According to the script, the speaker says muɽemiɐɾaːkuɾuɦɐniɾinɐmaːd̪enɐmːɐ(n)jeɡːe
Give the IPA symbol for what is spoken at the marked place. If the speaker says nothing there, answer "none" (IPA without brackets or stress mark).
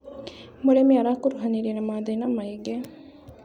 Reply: none